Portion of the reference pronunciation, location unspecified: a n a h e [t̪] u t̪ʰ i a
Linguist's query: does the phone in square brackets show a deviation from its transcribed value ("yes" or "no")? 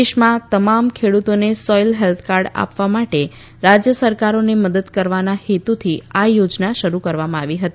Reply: no